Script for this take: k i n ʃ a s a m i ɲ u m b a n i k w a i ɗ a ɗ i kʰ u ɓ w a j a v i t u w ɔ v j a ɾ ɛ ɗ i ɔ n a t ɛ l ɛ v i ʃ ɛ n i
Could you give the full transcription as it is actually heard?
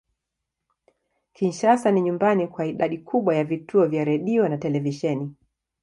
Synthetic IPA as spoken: k i n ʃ a s a n i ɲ u m b a n i k w a i ɗ a ɗ i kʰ u ɓ w a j a v i t u ɔ v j a ɾ ɛ ɗ i ɔ n a t ɛ l ɛ v i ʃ ɛ n i